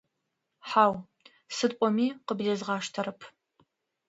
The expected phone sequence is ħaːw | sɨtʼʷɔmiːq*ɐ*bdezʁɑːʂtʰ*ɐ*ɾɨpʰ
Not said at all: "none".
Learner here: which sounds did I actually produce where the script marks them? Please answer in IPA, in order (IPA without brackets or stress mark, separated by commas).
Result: ə, ɐ